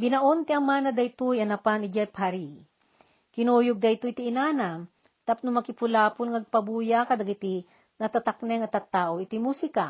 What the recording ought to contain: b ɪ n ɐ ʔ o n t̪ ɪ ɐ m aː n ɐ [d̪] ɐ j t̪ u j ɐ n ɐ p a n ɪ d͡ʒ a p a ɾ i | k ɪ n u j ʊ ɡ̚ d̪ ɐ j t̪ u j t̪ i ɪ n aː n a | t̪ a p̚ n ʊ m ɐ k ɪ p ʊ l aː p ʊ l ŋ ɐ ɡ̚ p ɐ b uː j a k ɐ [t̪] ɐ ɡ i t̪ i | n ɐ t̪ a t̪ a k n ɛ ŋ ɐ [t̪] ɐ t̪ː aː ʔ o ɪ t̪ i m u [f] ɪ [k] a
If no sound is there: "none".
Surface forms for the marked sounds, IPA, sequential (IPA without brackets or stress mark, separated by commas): d̪, d̪, t̪, s, k